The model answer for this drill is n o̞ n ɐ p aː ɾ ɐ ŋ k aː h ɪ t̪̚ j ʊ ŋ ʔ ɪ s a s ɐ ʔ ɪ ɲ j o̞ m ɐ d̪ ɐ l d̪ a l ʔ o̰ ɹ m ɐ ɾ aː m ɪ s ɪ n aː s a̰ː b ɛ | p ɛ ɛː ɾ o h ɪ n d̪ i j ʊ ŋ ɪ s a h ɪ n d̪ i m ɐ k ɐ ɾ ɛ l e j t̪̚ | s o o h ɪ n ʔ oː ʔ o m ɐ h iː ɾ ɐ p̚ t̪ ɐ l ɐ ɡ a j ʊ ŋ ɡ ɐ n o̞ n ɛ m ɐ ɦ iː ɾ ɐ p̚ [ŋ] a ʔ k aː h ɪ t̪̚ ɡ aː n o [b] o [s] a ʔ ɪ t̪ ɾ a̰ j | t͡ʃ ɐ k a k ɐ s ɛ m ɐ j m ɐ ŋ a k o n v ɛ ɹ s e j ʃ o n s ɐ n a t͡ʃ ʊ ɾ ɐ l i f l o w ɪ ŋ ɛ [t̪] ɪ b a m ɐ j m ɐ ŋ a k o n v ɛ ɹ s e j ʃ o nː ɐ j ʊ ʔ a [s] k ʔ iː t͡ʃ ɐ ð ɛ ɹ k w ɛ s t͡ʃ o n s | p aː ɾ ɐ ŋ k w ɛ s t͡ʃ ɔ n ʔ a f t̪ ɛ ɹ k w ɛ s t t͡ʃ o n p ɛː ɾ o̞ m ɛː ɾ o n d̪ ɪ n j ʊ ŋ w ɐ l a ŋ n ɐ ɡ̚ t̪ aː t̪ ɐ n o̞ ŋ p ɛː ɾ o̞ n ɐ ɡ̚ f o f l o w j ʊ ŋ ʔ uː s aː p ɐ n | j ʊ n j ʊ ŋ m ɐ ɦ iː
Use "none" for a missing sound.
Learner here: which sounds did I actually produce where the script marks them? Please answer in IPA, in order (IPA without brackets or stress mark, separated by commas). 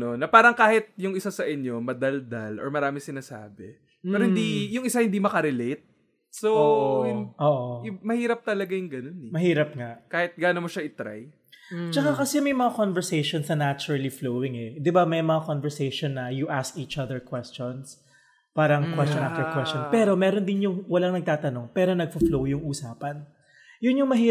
ŋ, m, ʃ, d̪, s